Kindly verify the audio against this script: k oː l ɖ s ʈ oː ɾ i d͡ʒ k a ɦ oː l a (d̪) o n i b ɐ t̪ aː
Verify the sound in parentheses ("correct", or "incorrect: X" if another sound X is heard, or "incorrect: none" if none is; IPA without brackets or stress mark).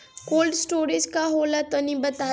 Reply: incorrect: t̪